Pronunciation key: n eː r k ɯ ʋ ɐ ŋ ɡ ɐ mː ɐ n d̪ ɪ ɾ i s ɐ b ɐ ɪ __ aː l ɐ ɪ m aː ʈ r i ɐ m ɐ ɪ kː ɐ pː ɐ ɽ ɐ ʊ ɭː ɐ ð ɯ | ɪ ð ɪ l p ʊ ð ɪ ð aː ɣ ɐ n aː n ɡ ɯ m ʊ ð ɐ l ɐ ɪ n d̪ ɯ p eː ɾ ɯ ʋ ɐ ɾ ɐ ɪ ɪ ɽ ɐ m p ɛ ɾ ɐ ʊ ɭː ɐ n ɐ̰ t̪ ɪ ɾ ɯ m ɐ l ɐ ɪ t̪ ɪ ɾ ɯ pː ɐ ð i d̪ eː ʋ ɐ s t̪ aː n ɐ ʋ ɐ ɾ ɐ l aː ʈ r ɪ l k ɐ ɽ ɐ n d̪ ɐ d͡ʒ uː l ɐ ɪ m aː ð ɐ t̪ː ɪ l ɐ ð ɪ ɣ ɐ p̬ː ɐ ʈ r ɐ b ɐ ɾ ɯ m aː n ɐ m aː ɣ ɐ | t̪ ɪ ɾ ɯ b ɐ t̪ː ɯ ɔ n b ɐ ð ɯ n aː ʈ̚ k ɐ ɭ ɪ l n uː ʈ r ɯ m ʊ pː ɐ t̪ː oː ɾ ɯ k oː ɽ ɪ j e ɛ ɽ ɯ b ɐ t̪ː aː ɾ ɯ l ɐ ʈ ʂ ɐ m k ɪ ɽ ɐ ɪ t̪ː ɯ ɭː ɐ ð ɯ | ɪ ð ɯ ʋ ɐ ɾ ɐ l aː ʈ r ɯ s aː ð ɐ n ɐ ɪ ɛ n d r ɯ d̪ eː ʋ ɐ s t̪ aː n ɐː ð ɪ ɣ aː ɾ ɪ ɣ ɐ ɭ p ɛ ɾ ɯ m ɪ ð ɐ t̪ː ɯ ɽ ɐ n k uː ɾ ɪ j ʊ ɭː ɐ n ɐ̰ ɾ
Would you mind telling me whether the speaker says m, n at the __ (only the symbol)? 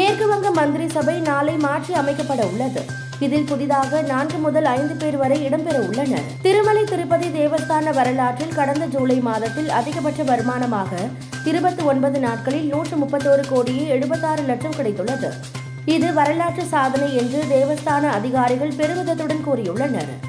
n